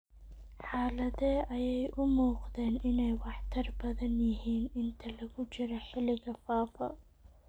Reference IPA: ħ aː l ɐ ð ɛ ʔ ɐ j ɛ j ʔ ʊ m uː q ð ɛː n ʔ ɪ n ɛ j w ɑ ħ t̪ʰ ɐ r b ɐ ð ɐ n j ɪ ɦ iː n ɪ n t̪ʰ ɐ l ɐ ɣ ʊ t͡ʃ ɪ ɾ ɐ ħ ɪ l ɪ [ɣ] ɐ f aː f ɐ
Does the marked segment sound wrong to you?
no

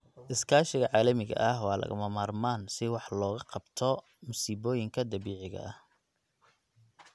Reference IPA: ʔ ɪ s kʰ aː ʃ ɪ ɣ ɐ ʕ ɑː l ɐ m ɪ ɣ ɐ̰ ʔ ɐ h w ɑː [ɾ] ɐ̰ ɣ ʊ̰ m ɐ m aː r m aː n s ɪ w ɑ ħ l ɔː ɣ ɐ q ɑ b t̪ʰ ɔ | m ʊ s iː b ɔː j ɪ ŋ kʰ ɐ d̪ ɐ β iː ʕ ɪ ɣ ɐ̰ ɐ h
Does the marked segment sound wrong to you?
yes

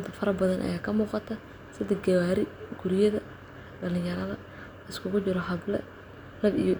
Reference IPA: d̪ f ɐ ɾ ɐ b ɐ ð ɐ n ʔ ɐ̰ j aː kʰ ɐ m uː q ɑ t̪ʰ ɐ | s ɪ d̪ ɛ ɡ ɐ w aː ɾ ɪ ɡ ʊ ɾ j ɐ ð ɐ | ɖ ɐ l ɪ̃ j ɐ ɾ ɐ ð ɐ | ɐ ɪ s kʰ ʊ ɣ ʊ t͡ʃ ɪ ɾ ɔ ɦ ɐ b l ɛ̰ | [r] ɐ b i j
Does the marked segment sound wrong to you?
yes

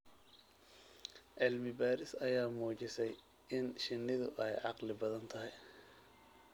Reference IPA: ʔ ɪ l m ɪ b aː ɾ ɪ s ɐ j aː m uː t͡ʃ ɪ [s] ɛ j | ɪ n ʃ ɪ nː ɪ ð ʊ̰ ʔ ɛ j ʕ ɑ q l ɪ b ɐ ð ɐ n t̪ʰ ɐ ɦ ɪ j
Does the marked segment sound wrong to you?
no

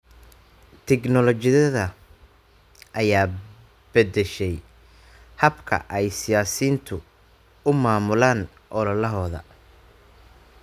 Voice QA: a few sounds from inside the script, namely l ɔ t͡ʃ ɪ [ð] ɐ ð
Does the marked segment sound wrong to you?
no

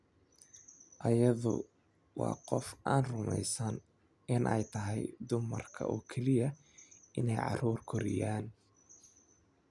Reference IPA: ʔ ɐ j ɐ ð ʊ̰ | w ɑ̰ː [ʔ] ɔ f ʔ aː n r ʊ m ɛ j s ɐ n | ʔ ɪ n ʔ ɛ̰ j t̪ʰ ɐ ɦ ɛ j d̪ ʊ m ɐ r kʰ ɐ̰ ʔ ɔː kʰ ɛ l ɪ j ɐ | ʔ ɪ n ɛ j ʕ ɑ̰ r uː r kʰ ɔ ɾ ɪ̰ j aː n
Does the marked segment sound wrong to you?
yes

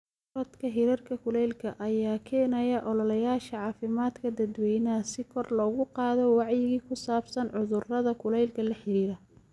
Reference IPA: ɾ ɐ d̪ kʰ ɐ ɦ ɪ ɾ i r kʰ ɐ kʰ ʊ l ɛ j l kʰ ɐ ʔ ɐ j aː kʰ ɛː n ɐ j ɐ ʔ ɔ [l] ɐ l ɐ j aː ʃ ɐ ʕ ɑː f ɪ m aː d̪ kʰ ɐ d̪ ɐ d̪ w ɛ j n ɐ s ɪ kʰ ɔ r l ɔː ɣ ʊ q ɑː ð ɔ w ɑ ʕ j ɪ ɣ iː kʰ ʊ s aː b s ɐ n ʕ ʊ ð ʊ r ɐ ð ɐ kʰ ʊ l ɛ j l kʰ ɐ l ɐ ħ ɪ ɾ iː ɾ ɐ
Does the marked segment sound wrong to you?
no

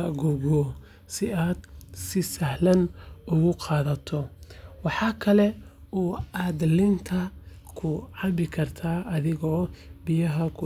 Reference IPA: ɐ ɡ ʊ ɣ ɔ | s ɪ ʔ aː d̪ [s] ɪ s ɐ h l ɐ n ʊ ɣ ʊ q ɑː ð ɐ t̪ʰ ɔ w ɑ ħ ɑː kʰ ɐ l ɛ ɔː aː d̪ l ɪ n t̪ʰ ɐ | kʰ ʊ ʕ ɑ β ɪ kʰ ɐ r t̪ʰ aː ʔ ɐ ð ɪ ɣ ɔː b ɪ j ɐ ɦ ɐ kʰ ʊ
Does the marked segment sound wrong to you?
no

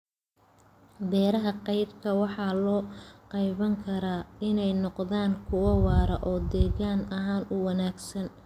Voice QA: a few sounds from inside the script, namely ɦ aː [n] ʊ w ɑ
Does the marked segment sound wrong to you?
no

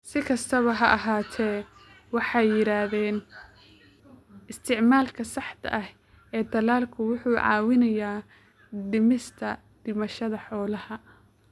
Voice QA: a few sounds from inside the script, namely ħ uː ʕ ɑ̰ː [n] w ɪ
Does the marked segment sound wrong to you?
yes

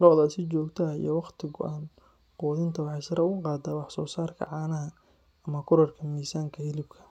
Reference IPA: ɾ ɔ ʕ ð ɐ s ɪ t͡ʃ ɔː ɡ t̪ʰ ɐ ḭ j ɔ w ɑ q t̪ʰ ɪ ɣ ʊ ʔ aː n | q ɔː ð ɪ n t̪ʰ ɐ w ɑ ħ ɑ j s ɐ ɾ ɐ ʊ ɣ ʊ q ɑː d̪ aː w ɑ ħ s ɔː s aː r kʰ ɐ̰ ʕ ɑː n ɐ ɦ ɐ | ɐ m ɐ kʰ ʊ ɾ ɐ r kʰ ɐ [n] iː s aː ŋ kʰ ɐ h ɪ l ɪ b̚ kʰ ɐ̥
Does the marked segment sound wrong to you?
yes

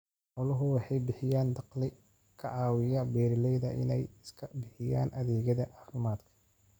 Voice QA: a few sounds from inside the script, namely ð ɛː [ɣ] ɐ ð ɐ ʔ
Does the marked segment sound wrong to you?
no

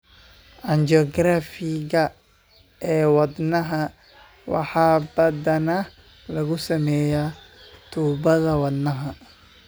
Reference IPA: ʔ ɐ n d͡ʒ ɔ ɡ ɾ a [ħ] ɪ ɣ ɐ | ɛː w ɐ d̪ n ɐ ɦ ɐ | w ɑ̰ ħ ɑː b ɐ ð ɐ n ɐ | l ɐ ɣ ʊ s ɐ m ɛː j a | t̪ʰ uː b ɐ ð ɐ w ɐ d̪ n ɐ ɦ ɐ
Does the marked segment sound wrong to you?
yes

